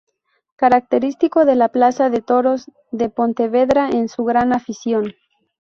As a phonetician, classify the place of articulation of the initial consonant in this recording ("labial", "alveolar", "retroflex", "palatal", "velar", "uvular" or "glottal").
velar